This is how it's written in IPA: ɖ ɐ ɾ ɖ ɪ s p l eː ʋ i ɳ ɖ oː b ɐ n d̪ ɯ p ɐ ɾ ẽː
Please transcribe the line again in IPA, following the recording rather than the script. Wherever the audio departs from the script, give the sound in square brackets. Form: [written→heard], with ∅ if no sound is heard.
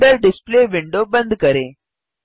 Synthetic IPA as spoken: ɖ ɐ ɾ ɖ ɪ s p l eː ʋ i ɳ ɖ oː b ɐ n d̪ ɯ [p→k] ɐ ɾ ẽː